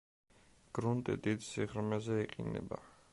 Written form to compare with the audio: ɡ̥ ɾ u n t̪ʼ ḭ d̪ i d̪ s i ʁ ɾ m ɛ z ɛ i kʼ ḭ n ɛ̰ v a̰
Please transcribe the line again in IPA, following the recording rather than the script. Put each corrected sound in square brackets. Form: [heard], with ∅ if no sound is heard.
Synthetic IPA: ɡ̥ ɾ u n t̪ʼ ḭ d̪ i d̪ s i ʁ ɾ m ɛ z ɛ i [qʼ] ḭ n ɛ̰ [b] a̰